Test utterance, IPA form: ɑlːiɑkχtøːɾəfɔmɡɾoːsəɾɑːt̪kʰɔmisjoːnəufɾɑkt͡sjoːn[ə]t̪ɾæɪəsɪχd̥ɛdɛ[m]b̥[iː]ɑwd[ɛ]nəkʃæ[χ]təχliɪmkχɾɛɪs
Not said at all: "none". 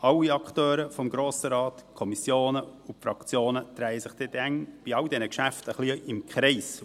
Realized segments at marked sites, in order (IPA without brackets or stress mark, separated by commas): ə, ŋ, i, ɛ, f